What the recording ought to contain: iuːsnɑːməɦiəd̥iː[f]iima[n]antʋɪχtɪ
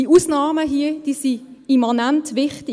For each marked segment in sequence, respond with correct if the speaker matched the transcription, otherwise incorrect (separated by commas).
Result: incorrect, correct